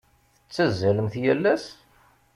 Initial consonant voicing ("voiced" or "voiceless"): voiceless